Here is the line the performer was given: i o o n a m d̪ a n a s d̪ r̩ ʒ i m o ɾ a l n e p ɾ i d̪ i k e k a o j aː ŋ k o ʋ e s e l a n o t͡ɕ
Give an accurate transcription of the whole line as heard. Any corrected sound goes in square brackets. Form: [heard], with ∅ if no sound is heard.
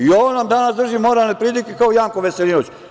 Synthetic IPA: i o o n a m d̪ a n a s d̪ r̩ ʒ i m o ɾ a l n e p ɾ i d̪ i k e k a o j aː ŋ k o ʋ e s e l [i] n o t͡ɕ